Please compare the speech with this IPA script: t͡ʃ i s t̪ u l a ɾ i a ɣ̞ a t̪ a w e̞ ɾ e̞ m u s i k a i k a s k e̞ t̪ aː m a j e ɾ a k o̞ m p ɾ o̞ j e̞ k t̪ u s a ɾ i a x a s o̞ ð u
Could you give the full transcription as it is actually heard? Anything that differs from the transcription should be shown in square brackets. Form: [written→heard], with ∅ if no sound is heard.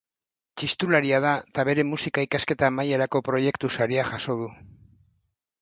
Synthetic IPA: t͡ʃ i s t̪ u l a ɾ i a [ɣ̞→ð̞] a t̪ a [w→β] e̞ ɾ e̞ m u s i k a i k a s k e̞ t̪ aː m a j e ɾ a k o̞ [m→∅] p ɾ o̞ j e̞ k t̪ u s a ɾ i a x a s o̞ ð u